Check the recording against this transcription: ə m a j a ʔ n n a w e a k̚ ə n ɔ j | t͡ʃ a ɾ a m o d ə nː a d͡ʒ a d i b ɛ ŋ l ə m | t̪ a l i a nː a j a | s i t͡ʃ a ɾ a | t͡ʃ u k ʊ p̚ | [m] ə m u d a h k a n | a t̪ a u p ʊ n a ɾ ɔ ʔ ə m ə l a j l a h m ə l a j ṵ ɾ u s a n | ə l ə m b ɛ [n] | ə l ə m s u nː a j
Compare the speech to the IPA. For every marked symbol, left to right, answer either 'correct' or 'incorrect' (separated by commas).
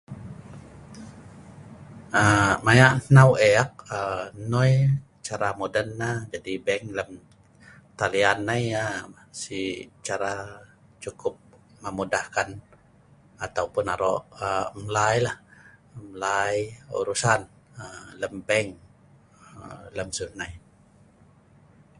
correct, incorrect